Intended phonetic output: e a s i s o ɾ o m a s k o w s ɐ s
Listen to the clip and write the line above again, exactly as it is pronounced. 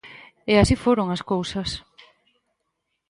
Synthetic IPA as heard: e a s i f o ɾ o ŋ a s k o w s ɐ s